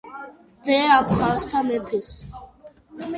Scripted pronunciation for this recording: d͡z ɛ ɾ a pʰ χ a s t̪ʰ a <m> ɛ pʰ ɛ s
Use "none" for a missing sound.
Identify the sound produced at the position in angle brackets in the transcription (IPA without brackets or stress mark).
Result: m